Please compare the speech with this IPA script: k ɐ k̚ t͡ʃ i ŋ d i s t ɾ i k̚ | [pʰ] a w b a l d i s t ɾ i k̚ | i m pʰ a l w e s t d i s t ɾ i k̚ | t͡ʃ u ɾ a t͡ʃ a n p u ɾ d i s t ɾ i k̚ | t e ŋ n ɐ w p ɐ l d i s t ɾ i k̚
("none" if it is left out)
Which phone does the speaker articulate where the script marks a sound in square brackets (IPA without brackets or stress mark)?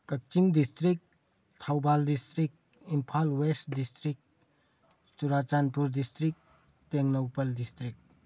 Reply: tʰ